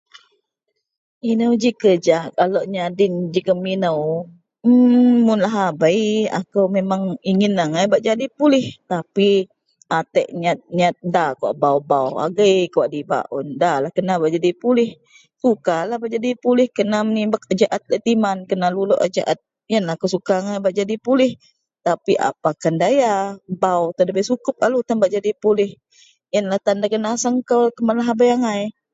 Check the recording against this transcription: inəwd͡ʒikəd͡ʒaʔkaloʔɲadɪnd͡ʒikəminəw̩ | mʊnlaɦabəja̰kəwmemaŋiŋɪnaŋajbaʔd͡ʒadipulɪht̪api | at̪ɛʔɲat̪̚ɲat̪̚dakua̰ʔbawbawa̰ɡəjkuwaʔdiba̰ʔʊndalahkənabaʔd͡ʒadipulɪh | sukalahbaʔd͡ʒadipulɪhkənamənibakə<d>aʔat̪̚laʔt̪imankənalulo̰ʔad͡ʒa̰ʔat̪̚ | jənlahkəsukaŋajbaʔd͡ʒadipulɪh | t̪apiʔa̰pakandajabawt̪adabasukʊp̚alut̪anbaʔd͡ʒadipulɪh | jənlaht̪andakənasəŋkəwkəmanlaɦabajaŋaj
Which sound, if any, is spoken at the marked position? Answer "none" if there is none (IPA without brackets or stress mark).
d͡ʒ